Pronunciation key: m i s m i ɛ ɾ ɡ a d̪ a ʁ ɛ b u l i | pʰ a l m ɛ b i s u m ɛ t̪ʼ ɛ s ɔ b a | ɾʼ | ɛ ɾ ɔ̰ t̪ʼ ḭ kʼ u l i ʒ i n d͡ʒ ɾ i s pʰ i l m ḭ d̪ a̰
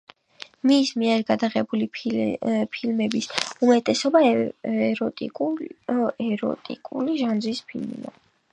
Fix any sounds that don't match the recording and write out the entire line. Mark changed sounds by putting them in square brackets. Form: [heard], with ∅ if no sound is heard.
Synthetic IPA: m i s m i ɛ ɾ ɡ a d̪ a ʁ ɛ b u l i | pʰ [i] l m ɛ b i s u m ɛ t̪ʼ ɛ s ɔ b a | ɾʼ | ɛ ɾ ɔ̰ t̪ʼ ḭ kʼ u l i ʒ [a] n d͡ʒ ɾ i s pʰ i l m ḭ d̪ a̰